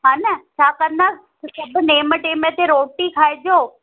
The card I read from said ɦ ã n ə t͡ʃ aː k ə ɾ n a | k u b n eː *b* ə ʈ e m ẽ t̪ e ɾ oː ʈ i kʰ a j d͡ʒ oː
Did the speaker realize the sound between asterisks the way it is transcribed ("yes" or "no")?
no